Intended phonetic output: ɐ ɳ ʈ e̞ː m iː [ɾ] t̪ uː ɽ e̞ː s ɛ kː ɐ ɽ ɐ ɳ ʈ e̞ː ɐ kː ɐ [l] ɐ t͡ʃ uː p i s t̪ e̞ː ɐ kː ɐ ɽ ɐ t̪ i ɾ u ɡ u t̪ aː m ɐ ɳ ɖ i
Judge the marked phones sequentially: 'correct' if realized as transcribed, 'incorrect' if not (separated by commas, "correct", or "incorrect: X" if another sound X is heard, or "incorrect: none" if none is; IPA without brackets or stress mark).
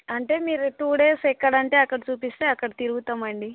correct, incorrect: ɽ